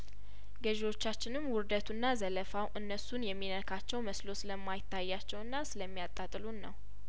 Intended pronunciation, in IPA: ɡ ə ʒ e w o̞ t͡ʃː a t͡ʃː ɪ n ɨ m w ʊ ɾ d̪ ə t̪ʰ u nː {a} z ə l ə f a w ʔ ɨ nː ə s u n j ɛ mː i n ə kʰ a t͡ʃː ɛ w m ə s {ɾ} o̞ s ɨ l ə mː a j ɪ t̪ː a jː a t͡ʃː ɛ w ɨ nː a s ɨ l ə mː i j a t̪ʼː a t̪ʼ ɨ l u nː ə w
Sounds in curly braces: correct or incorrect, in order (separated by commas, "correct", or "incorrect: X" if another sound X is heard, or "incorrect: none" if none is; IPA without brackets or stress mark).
correct, incorrect: l